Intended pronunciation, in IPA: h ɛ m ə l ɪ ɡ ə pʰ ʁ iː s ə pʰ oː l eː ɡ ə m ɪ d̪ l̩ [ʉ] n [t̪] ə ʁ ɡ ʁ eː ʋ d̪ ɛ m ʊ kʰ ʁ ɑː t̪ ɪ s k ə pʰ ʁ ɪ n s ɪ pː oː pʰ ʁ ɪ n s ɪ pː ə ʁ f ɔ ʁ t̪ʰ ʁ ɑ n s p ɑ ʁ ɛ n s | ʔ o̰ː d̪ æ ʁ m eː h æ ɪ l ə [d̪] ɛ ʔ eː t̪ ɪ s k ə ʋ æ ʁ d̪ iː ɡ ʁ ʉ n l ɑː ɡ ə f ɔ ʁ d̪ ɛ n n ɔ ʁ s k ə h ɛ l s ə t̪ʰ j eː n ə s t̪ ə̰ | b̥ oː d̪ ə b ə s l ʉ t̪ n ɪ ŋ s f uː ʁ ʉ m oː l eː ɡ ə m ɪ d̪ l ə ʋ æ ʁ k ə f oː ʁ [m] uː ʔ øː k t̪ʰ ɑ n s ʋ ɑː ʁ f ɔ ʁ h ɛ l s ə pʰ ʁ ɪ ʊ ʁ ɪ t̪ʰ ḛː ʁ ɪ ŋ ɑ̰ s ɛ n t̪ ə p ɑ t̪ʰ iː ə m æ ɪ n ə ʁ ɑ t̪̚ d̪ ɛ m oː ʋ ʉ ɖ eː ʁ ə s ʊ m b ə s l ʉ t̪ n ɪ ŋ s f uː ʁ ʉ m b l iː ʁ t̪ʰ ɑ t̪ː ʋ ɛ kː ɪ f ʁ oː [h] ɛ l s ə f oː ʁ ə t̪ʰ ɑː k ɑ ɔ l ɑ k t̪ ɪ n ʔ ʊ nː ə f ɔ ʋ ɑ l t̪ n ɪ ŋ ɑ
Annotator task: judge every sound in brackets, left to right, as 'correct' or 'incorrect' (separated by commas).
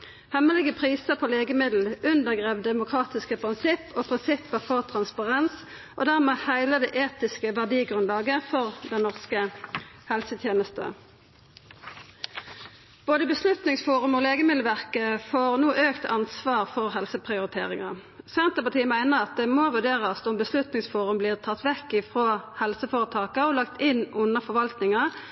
correct, incorrect, correct, incorrect, correct